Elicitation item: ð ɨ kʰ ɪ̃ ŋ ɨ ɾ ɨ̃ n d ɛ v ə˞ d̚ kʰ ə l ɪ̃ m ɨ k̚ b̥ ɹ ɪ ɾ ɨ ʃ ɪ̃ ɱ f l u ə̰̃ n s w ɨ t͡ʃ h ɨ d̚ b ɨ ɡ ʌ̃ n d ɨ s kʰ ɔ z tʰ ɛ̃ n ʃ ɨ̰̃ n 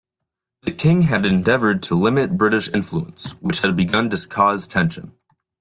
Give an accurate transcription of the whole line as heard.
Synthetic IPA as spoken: ð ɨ kʰ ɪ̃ ŋ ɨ ɾ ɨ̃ n d ɛ v ə˞ d̚ tʰ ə l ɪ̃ m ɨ t̚ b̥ ɹ ɪ ɾ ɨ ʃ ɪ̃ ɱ f l u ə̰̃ n s w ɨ t͡ʃ h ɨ d̚ b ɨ ɡ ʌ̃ n d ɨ s kʰ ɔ z tʰ ɛ̃ n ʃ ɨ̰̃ n